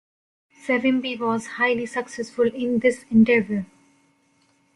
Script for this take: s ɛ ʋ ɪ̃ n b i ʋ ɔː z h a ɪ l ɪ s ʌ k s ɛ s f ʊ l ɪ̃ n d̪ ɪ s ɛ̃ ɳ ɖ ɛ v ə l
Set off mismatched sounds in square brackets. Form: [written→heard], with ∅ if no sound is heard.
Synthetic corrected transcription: s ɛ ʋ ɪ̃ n b i ʋ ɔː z h a ɪ l [ɪ→i] s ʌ k s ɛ s f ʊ l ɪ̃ n d̪ ɪ s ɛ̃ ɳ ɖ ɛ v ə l

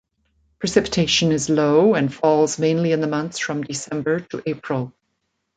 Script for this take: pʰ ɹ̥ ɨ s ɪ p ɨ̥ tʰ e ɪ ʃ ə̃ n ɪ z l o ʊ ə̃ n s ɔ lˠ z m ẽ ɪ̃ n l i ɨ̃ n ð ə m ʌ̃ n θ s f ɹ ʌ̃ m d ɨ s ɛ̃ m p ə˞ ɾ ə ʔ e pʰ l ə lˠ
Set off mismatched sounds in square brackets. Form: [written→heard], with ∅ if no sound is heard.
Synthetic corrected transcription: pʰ ɹ̥ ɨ s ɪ p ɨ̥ tʰ e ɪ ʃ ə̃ n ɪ z l o ʊ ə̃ n [s→f] ɔ lˠ z m ẽ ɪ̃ n l i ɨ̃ n ð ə m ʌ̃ n θ s f ɹ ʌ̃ m d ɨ s ɛ̃ m [p→b] ə˞ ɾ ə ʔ e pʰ [l→ɹ] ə lˠ

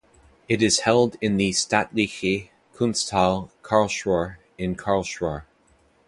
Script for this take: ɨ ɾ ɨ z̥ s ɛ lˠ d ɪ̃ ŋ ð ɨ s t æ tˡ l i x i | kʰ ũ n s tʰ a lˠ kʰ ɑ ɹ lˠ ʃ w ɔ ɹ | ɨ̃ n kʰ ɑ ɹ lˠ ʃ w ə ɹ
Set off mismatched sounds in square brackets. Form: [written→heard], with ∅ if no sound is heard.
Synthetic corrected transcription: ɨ ɾ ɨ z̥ [s→h] ɛ lˠ d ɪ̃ [ŋ→n] ð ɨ s t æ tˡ l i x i | kʰ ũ n s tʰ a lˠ kʰ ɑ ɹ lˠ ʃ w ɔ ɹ | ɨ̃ n kʰ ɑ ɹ lˠ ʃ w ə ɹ

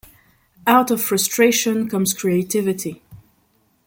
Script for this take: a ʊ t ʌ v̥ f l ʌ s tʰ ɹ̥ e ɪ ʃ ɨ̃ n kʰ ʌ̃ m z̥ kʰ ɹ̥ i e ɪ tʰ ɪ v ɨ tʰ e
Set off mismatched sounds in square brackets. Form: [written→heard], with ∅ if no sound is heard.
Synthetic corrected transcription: a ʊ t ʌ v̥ f [l→ɹ] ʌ s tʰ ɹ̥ e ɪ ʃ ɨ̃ n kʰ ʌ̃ m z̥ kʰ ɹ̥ i e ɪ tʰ ɪ v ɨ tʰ [e→i]

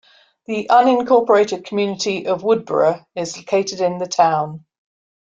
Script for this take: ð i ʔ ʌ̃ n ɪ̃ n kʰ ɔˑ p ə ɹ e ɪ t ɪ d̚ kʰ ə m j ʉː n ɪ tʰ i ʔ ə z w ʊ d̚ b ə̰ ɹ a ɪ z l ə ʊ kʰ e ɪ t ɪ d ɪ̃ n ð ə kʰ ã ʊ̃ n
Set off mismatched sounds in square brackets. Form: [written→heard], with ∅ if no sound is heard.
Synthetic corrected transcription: ð i ʔ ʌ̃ n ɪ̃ n kʰ ɔˑ p ə ɹ e ɪ t ɪ d̚ kʰ ə m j ʉː n ɪ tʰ i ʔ ə [z→v] w ʊ d̚ b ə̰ ɹ [a→ə] ɪ z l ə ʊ kʰ e ɪ t ɪ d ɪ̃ n ð ə [kʰ→tʰ] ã ʊ̃ n

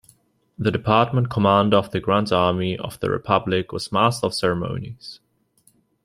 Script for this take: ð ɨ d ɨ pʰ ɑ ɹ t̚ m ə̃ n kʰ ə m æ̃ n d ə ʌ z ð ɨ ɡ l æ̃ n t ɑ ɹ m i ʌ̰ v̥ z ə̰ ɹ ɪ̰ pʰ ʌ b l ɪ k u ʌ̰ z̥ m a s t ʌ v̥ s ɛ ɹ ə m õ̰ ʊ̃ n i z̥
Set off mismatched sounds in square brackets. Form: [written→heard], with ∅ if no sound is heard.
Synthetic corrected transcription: ð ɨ d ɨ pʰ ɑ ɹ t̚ m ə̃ n kʰ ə m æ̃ n d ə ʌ [z→v] ð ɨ ɡ [l→ɹ] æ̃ n t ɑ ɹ m i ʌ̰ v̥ [z→ð] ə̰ ɹ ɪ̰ pʰ ʌ b l ɪ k [u→w] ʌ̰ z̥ m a s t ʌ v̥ s ɛ ɹ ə m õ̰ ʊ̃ n i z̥

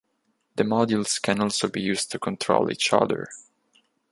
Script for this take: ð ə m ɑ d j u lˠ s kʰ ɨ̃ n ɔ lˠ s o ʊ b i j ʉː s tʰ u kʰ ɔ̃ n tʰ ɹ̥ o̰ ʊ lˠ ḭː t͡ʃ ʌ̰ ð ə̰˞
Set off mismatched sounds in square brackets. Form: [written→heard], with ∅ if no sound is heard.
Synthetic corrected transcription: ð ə m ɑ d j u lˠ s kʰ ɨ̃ n ɔ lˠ s o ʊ b i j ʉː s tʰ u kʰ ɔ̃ n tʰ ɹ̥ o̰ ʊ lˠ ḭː t͡ʃ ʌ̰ ð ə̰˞

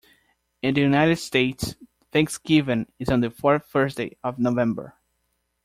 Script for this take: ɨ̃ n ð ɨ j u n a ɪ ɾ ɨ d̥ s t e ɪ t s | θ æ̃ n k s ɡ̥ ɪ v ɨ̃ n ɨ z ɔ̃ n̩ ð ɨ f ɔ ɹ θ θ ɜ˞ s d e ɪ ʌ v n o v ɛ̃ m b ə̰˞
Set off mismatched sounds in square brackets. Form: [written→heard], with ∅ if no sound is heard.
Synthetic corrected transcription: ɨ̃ n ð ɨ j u n a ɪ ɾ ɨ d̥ s t e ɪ t s | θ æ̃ [n→ŋ] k s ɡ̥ ɪ v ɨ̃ n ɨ z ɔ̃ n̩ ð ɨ f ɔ ɹ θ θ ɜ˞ s d e ɪ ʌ v n o v ɛ̃ m b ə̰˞

